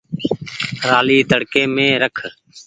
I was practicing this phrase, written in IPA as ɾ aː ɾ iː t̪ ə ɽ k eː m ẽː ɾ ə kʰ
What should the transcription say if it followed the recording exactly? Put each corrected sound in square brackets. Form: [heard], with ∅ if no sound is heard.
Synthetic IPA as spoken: ɾ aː [l] iː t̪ ə ɽ k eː m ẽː ɾ ə kʰ